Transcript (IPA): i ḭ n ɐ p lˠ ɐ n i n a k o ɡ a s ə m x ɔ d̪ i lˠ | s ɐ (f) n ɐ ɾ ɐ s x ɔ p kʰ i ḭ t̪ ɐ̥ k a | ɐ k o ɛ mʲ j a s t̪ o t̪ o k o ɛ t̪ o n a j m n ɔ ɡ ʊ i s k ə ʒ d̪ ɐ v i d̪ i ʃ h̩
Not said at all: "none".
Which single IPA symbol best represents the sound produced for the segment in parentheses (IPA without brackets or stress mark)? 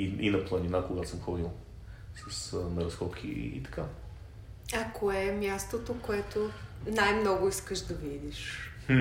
s